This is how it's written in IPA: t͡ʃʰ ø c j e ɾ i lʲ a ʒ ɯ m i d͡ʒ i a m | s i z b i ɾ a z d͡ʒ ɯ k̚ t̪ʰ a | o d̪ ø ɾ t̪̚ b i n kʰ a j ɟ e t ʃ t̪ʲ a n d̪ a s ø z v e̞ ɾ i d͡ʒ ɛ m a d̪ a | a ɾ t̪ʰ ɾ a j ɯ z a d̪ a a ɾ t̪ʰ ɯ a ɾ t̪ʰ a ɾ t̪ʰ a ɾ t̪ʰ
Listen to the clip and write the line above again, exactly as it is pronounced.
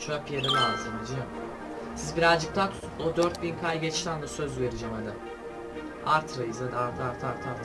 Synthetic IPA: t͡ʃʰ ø p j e ɾ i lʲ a z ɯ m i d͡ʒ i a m | s i z b i ɾ a z d͡ʒ ɯ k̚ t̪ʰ a | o d̪ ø ɾ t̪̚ b i n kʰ a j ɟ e t͡ʃ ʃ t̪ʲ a n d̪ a s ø z v e̞ ɾ i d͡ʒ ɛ m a d̪ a | a ɾ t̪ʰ ɾ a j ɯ z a d̪ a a ɾ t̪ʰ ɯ a ɾ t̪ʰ a ɾ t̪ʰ a ɾ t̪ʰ